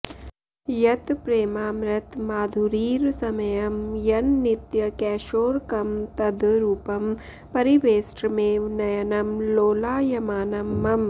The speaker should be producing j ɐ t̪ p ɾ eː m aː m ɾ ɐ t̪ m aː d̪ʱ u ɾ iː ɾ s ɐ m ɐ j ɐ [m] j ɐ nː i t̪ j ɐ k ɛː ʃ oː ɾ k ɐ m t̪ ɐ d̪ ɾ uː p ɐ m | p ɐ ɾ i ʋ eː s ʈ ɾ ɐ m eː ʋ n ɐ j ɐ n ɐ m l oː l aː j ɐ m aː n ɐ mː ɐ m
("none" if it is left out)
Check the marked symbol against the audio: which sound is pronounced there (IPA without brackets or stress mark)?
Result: m